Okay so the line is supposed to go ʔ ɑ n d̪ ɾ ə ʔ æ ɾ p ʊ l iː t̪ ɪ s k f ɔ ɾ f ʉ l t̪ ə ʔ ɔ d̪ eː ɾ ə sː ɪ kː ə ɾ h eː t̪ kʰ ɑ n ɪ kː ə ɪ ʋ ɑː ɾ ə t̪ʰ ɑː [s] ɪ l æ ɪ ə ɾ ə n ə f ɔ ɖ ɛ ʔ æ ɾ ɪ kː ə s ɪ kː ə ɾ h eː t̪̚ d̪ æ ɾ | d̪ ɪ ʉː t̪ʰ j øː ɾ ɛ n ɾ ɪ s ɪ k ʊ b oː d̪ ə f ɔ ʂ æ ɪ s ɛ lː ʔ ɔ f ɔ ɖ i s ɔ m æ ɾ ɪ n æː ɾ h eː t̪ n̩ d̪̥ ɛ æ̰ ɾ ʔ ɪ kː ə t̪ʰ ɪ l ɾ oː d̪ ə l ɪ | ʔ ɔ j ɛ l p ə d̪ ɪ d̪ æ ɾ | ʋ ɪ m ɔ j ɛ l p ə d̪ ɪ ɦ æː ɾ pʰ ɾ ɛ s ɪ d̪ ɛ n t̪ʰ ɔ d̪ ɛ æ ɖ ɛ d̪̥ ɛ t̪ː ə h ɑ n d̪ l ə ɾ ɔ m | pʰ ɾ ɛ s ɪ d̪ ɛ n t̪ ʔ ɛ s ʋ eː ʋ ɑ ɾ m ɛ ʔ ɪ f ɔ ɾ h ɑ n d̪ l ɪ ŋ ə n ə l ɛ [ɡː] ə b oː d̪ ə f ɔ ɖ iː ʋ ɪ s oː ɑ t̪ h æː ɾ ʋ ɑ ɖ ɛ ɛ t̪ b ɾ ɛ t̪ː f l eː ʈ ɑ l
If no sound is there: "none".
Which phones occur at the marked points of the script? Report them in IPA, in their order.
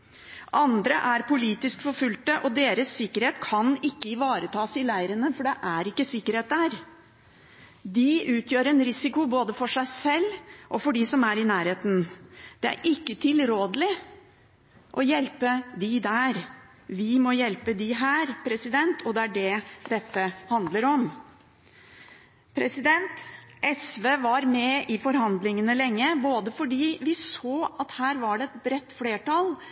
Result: s, ŋː

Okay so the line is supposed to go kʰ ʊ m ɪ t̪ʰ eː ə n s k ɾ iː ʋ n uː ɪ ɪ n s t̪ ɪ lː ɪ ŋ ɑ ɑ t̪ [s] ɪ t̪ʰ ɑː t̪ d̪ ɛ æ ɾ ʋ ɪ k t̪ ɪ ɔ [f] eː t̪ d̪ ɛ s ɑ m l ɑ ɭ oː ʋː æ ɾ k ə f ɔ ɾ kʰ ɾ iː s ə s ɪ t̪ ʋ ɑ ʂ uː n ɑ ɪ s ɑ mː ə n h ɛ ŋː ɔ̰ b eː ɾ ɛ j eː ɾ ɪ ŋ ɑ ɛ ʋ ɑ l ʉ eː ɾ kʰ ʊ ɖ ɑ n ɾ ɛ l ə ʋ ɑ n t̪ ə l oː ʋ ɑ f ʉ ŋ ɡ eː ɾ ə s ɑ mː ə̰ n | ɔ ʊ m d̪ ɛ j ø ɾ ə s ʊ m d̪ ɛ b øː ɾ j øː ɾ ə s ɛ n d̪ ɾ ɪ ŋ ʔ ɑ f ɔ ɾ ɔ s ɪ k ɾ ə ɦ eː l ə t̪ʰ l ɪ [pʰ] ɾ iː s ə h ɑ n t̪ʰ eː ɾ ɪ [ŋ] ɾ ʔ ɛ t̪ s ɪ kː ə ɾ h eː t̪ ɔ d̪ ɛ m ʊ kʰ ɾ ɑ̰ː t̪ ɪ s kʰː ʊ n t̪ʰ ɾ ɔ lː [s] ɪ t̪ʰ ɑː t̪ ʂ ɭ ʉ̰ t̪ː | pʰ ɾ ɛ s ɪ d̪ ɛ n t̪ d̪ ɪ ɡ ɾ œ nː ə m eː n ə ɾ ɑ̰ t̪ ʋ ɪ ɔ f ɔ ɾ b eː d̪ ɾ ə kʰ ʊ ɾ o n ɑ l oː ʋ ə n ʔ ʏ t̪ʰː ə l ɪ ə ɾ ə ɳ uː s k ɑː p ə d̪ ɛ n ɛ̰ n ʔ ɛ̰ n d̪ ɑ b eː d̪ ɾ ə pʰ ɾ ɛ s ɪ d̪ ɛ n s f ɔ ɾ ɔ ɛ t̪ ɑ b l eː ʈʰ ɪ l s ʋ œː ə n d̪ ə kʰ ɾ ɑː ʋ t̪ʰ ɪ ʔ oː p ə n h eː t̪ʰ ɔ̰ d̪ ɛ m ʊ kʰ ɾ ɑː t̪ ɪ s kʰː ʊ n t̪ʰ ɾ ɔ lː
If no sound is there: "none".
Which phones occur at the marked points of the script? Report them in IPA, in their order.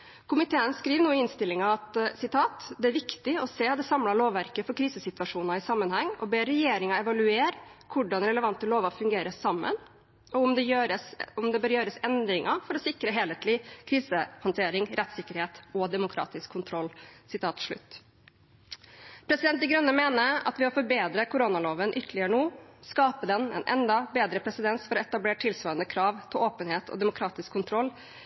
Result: s, s, kʰ, ŋ, s

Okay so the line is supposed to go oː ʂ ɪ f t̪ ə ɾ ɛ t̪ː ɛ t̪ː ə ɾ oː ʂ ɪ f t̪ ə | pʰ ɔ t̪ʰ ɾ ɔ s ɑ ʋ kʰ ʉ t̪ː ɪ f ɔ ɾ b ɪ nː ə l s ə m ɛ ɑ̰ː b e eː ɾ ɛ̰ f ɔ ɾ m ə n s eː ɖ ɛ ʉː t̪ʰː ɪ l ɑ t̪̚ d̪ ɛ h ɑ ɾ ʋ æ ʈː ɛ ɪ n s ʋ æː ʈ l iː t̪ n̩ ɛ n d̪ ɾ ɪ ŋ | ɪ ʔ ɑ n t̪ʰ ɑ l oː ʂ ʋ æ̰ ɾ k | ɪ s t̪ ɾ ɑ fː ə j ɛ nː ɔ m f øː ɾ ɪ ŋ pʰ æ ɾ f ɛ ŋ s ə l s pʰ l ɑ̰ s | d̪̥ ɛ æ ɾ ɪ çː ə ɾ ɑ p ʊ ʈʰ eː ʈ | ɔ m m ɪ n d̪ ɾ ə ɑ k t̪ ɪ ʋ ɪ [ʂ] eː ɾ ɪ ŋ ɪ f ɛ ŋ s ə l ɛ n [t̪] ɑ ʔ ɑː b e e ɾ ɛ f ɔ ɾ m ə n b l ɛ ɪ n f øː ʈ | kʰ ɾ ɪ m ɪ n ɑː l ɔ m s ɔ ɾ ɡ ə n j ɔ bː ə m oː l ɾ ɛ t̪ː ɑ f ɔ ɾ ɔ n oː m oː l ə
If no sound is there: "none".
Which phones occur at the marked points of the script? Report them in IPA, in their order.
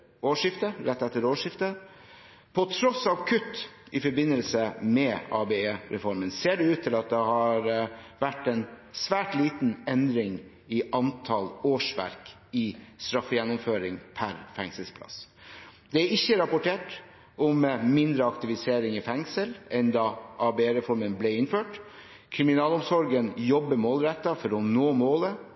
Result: s, d̪

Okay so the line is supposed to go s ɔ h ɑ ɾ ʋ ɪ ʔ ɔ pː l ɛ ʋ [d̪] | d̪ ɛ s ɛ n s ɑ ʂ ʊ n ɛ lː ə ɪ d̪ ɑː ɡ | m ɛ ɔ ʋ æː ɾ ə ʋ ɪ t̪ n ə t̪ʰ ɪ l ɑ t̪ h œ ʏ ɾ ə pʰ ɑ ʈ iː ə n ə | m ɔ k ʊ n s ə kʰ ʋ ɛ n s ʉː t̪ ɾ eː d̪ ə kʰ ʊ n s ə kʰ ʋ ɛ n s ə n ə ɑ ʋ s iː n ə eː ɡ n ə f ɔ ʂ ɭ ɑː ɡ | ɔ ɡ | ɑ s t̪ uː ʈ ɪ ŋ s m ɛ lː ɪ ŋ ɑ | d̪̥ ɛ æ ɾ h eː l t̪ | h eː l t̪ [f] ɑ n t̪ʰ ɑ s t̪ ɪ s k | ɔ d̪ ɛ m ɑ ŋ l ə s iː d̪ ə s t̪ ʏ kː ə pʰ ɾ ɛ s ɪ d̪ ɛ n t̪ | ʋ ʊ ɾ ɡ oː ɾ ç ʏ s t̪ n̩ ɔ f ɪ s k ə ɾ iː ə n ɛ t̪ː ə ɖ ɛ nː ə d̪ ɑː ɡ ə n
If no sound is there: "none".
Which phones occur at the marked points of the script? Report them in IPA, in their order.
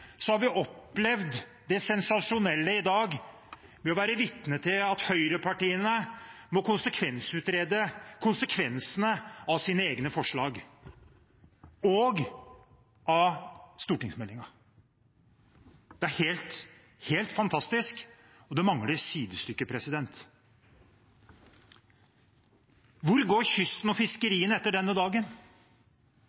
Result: d̪, f

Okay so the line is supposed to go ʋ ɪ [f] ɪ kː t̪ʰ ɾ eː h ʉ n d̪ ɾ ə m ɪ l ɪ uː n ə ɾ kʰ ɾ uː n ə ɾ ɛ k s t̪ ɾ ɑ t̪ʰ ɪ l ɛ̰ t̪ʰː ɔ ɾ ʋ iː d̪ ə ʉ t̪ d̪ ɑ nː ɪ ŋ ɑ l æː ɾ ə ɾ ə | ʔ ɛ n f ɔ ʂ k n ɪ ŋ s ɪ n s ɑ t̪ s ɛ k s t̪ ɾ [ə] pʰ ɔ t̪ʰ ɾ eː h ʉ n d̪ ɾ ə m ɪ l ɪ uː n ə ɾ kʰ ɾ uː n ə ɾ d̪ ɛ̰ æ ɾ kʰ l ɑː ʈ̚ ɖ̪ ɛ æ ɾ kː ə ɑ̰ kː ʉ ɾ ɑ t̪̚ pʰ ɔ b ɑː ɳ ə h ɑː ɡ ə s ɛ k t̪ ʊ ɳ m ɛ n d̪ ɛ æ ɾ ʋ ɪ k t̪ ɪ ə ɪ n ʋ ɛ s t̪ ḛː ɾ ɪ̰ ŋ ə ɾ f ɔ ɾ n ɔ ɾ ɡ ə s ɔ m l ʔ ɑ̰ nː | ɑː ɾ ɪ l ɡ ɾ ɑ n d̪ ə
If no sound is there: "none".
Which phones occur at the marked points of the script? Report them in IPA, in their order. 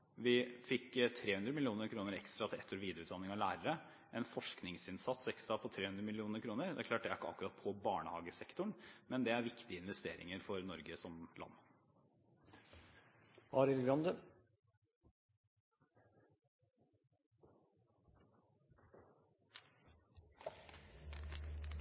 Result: f, ɑ

